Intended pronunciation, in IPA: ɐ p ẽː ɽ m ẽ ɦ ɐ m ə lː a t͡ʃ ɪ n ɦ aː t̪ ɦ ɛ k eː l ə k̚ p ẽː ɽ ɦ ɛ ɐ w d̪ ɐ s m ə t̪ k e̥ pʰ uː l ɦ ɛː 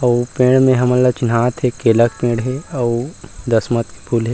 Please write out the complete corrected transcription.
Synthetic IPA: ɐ p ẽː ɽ m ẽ ɦ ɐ m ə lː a t͡ʃ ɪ n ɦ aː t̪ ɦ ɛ k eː l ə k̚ p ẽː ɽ ɦ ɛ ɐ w d̪ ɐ s m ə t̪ k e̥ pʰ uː l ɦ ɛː